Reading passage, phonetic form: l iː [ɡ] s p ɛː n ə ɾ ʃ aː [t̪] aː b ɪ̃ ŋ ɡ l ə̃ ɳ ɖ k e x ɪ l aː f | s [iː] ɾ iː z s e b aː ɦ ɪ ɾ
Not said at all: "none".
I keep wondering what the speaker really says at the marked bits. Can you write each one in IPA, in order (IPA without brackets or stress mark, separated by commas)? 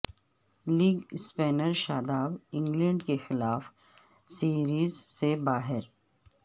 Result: ɡ, d̪, iː